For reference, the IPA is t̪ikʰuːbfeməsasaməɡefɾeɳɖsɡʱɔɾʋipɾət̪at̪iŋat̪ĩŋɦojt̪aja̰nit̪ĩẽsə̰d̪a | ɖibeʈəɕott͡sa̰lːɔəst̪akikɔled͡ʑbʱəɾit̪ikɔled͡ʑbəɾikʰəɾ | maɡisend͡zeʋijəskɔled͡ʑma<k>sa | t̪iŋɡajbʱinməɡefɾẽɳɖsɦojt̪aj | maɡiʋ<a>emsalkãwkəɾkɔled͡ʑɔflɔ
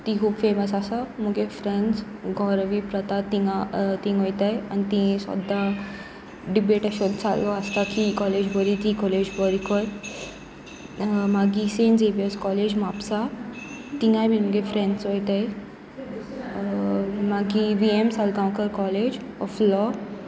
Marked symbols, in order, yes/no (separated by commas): no, no